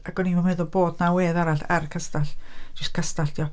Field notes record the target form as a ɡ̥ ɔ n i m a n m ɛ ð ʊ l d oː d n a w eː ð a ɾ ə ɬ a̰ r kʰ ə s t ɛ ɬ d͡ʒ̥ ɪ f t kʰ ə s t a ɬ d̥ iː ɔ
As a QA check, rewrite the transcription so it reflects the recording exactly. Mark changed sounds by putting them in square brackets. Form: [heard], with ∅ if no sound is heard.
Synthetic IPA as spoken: a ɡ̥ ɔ n i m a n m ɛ ð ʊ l [b] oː d n a w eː ð a ɾ [a] ɬ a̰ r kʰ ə s t [a] ɬ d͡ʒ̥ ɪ [s] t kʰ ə s t a ɬ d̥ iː ɔ